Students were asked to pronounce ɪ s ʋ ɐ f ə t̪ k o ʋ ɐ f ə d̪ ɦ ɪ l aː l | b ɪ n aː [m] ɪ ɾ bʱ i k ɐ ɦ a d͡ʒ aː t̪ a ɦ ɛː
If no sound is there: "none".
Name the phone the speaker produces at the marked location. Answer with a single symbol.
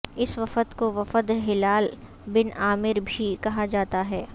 m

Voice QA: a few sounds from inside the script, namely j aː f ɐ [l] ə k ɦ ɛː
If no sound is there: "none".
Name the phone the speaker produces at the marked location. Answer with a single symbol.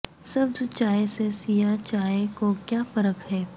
ɾ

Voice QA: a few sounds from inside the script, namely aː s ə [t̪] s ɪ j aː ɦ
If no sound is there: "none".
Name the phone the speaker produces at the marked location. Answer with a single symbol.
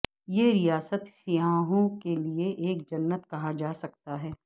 t̪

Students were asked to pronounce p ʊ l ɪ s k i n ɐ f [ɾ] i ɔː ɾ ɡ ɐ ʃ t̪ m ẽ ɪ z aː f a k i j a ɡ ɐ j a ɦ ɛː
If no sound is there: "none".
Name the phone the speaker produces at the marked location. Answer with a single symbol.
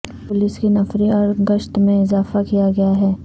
ɾ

